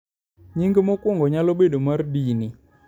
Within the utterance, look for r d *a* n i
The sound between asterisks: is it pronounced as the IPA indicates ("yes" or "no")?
no